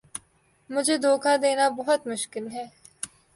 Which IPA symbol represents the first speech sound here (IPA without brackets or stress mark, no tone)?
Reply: m